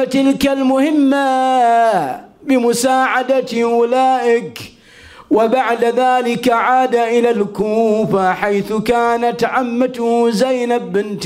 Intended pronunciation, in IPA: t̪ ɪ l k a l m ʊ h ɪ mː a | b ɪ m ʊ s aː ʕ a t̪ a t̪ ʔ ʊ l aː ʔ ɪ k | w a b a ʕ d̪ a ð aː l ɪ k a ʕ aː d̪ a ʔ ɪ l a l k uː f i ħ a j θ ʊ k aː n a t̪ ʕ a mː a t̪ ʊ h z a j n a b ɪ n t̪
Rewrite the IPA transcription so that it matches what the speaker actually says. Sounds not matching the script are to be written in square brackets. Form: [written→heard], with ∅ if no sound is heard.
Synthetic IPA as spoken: t̪ ɪ l k a l m ʊ h ɪ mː a | b ɪ m ʊ s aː ʕ a [t̪→d̪] a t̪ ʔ ʊ l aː ʔ ɪ k | w a b a ʕ d̪ a ð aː l ɪ k a ʕ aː d̪ a ʔ ɪ l a l k uː f [i→a] ħ a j θ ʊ k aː n a t̪ ʕ a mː a t̪ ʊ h z a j n a b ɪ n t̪